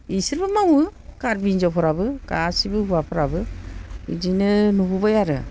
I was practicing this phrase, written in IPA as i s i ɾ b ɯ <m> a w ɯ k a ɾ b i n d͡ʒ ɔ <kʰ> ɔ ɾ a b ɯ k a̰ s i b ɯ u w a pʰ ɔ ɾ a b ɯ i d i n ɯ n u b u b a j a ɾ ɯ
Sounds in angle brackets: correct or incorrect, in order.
correct, incorrect: pʰ

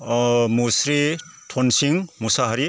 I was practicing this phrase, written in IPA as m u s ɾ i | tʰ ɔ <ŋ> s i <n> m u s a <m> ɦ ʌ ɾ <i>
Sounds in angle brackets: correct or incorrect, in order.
incorrect: n, incorrect: ŋ, incorrect: none, correct

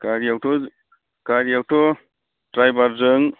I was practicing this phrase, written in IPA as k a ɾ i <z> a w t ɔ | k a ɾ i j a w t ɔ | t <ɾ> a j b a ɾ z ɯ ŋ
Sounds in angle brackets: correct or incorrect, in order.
incorrect: none, correct

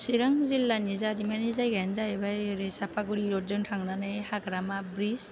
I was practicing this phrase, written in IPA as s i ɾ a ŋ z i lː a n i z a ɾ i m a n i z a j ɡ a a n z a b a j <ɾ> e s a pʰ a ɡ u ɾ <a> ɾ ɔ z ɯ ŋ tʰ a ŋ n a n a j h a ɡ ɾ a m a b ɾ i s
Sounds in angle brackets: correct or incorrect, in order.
correct, incorrect: i

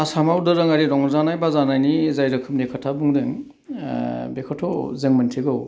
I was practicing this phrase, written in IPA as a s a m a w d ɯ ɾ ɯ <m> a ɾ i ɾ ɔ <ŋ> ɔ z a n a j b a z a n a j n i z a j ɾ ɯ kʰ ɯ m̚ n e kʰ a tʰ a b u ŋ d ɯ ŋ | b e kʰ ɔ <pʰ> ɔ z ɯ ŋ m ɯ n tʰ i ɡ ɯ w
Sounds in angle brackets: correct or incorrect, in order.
incorrect: ŋ, correct, incorrect: tʰ

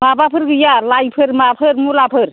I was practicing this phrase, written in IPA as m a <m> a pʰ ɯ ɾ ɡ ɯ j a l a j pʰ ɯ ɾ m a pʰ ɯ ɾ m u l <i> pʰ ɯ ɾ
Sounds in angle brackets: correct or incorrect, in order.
incorrect: b, incorrect: a

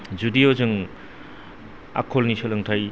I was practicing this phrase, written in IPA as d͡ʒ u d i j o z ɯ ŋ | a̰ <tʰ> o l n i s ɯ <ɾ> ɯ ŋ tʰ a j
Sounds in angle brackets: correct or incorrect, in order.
incorrect: kʰ, incorrect: l

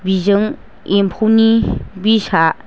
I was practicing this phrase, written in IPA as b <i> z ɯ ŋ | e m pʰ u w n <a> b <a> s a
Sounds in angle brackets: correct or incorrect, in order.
correct, incorrect: i, incorrect: i

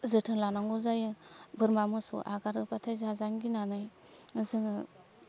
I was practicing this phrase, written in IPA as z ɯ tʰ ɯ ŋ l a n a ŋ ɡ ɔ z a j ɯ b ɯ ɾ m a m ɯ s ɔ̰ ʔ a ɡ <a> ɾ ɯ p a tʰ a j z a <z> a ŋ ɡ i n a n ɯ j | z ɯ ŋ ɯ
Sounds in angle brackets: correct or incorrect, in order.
correct, correct

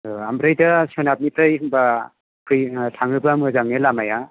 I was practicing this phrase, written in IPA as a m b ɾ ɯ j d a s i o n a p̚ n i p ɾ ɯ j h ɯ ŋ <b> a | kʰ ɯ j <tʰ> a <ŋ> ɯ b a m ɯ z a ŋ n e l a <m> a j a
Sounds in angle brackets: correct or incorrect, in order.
correct, correct, correct, correct

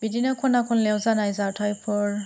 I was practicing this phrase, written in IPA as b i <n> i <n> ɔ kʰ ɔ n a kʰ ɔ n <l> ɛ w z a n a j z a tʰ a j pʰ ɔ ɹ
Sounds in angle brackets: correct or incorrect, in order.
incorrect: d, correct, correct

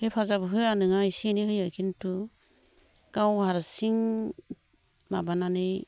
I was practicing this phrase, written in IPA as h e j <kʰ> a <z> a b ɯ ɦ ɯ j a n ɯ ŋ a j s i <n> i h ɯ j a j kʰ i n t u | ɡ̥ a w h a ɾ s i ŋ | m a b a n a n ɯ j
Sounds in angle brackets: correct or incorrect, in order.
incorrect: pʰ, correct, correct

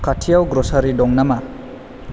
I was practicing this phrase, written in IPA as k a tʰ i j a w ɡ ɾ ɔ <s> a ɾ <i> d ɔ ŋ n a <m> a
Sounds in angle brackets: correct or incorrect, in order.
correct, correct, correct

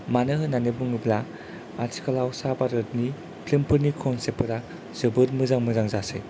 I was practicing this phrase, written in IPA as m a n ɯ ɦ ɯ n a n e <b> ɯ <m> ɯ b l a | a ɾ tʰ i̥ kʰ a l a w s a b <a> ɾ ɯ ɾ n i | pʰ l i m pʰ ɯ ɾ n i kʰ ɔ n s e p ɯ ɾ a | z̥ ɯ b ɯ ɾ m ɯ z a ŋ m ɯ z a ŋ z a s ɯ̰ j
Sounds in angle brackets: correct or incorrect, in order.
correct, incorrect: ŋ, correct

